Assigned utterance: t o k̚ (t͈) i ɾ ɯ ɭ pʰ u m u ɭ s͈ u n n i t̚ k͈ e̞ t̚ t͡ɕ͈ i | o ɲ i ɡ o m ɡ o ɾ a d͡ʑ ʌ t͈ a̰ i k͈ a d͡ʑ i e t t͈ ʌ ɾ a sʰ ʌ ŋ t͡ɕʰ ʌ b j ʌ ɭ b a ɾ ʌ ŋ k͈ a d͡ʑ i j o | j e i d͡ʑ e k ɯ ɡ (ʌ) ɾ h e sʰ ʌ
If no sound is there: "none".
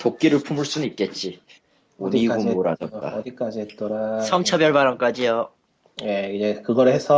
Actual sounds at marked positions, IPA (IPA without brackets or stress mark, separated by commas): k͈, ʌ